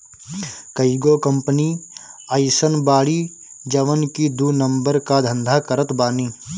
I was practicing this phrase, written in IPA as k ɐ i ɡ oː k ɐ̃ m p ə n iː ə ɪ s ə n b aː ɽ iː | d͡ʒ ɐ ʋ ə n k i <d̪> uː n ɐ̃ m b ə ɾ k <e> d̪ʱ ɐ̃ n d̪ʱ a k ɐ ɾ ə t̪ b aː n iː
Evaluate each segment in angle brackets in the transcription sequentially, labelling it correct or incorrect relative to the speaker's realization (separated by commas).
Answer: correct, incorrect